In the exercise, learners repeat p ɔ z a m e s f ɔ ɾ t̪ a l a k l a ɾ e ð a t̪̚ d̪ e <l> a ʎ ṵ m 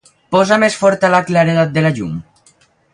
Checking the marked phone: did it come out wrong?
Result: no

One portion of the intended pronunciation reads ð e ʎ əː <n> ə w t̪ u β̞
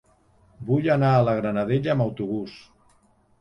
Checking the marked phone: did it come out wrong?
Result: yes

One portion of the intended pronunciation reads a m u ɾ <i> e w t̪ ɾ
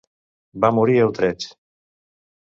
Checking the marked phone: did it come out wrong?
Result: no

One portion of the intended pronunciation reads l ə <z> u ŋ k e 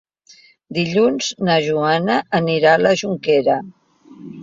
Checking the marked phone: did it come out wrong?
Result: yes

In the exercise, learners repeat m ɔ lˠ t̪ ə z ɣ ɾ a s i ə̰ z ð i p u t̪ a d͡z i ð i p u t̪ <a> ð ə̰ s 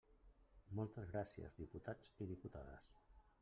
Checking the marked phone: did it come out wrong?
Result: no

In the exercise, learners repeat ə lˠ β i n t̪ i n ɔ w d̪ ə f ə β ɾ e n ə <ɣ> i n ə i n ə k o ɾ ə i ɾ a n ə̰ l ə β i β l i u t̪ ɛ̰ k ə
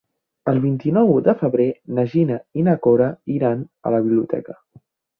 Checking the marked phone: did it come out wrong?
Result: yes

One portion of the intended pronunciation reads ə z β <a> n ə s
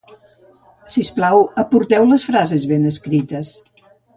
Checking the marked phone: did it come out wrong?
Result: yes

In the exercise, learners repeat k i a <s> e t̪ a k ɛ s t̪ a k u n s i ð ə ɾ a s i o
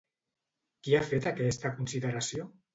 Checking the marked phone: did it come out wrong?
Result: yes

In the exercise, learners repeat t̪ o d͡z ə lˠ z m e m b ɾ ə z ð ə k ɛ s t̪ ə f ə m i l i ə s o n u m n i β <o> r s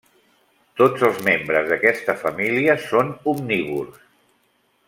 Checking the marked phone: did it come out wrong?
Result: yes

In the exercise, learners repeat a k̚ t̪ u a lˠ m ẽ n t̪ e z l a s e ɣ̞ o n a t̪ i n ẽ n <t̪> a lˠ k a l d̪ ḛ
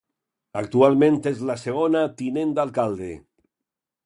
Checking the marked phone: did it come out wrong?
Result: yes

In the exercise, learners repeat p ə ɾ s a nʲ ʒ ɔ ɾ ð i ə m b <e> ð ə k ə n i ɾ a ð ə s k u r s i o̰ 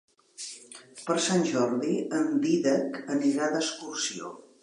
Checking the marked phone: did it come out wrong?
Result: yes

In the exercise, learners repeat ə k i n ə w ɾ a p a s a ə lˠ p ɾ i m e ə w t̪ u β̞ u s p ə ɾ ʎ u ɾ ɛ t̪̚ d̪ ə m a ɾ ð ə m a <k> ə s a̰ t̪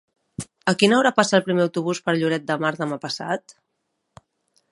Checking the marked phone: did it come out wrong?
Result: yes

